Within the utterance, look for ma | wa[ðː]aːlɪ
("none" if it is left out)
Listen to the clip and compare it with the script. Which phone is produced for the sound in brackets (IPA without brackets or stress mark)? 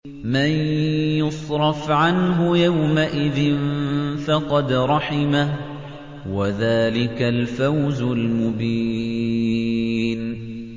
ð